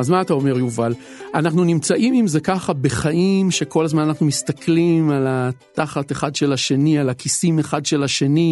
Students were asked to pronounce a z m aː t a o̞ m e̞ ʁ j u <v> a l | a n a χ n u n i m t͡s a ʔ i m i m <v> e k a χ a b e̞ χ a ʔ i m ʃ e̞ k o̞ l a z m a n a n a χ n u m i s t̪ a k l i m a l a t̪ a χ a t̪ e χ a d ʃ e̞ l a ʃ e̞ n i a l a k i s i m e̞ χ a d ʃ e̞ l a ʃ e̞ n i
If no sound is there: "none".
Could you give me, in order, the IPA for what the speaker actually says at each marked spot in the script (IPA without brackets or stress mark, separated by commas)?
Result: v, z